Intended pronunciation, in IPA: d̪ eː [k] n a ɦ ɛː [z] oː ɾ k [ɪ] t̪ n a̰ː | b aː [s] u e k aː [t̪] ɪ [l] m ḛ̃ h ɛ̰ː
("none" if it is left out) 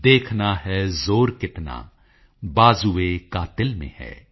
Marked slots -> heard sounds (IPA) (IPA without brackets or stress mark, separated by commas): kʰ, z, ɪ, z, t̪, l